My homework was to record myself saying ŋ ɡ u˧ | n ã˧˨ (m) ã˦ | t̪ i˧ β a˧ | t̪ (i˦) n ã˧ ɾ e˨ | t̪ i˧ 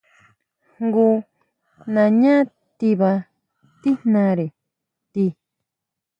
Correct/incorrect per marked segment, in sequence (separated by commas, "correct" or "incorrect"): incorrect, correct